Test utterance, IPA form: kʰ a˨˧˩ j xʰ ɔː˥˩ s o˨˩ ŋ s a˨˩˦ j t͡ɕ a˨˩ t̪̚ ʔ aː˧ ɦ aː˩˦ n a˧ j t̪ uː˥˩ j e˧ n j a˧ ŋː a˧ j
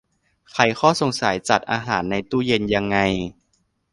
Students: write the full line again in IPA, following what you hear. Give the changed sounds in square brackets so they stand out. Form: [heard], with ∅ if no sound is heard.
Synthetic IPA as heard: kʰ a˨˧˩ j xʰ ɔː˥˩ s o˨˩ ŋ s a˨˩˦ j t͡ɕ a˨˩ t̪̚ ʔ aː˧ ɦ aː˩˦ [nː] a˧ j t̪ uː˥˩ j e˧ n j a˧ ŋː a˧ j